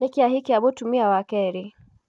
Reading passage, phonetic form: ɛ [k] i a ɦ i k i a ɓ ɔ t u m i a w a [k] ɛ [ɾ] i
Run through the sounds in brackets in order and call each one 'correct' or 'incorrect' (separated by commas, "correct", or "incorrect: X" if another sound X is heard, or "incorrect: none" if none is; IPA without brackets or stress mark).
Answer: correct, correct, correct